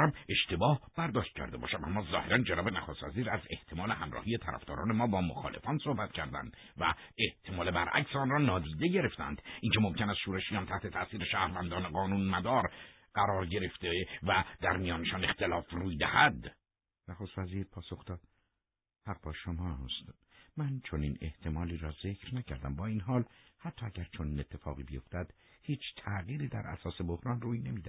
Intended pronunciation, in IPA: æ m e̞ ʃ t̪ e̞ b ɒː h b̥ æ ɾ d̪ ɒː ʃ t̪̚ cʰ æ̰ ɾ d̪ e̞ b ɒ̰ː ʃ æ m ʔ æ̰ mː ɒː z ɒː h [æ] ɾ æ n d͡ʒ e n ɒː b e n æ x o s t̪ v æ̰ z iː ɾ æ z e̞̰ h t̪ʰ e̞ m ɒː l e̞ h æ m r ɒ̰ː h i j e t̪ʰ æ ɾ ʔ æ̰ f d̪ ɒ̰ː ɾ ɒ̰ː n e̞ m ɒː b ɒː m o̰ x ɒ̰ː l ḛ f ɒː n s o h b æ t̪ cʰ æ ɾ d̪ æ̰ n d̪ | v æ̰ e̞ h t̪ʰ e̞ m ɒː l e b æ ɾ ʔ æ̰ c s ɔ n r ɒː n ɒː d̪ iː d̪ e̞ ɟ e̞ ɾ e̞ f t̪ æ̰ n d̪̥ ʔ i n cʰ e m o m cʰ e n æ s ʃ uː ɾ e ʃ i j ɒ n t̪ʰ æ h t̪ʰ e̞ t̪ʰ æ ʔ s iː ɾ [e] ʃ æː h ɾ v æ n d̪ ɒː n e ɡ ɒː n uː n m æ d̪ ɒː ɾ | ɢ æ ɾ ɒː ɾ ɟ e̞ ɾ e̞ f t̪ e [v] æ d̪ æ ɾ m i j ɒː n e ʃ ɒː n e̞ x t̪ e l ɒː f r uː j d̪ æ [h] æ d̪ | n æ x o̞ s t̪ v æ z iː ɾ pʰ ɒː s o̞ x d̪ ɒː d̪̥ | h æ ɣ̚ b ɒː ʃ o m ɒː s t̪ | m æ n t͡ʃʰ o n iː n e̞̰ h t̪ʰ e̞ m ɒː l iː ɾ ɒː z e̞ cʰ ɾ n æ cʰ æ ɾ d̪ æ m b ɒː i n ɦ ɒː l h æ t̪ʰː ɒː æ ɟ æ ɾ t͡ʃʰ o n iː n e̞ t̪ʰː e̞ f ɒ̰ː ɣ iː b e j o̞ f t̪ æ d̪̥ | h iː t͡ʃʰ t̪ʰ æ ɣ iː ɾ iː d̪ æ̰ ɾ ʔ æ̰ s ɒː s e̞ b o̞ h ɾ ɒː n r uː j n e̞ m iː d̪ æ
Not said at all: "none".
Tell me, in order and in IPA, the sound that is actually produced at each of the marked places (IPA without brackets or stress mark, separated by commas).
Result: e, e, v, h